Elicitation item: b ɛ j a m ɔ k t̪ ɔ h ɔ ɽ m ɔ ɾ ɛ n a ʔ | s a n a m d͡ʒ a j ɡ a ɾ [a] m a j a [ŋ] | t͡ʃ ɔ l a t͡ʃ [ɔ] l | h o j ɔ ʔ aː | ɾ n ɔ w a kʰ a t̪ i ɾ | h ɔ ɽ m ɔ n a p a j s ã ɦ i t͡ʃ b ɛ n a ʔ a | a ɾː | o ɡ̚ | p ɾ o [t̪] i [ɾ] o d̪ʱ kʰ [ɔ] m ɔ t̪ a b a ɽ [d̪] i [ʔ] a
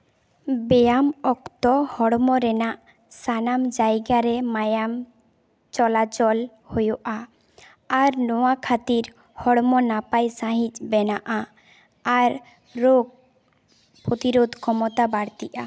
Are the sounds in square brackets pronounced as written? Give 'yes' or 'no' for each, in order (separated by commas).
no, no, yes, yes, yes, yes, no, yes